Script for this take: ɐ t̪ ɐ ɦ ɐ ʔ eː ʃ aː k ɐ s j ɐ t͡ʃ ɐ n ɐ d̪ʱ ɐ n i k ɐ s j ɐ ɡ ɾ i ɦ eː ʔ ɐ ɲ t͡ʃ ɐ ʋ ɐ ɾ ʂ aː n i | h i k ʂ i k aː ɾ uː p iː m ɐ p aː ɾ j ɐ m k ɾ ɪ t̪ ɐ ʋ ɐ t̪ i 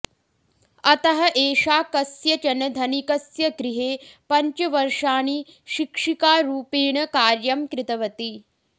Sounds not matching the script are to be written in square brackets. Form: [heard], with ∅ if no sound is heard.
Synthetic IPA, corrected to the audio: ɐ t̪ ɐ ɦ ɐ ʔ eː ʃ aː k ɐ s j ɐ t͡ʃ ɐ n ɐ d̪ʱ ɐ n i k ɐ s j ɐ ɡ ɾ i ɦ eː [p] ɐ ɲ t͡ʃ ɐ ʋ ɐ ɾ ʂ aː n i | [ʃ] i k ʂ i k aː ɾ uː p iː [ɳ] ɐ [k] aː ɾ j ɐ m k ɾ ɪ t̪ ɐ ʋ ɐ t̪ i